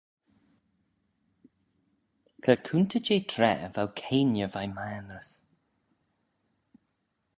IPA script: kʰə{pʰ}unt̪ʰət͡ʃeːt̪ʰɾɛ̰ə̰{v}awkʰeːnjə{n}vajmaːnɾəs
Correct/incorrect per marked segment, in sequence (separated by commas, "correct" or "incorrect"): incorrect, correct, incorrect